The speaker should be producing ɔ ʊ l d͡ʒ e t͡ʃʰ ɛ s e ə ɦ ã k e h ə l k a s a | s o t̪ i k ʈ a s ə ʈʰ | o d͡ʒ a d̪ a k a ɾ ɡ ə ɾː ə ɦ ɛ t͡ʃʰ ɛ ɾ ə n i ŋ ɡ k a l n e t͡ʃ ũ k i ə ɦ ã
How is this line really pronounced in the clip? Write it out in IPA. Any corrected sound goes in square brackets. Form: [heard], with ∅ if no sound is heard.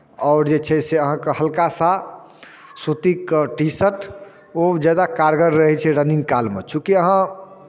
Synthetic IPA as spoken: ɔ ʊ [ɾ] d͡ʒ e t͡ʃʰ ɛ s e ə ɦ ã k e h ə l k a s a | s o t̪ i k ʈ [i] s ə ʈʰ | o d͡ʒ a d̪ a k a ɾ ɡ ə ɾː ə ɦ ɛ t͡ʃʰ ɛ ɾ ə n i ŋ ɡ k a l [m] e t͡ʃ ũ k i ə ɦ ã